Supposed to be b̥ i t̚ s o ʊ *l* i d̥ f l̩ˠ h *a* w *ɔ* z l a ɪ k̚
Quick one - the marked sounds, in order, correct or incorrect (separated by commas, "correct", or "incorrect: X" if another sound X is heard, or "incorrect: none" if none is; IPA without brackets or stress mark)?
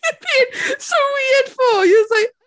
incorrect: ɹ, incorrect: i, incorrect: ʌ